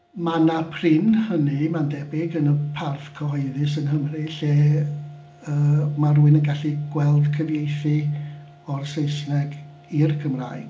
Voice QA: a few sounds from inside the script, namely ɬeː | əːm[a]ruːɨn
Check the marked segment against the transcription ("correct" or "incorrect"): correct